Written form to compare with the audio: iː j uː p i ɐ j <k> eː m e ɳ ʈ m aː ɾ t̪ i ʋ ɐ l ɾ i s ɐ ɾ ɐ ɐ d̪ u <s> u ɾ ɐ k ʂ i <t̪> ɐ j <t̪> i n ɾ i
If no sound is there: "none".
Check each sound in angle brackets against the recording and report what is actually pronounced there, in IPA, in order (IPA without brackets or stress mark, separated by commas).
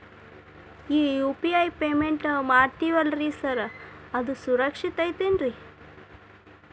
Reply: p, s, t̪, t̪